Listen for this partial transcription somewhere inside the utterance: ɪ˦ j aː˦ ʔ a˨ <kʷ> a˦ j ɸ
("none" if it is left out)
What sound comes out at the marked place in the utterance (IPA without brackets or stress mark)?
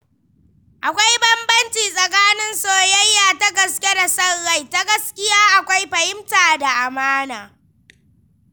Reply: kʷ